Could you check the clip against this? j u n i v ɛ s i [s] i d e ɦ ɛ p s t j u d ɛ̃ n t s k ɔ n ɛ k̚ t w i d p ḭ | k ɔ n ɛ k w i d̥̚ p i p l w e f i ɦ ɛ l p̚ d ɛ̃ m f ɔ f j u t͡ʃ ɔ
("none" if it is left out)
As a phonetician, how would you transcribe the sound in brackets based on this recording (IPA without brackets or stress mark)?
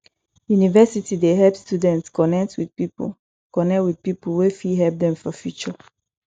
t